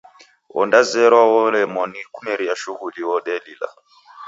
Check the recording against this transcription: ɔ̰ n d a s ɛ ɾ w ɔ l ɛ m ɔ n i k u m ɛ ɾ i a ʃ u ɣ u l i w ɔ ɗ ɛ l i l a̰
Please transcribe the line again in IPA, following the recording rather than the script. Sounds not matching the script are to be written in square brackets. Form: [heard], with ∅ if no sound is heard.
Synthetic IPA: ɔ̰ n d a [z] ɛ ɾ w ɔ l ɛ m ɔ n i k u m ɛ ɾ i a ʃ u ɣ u l i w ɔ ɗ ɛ l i l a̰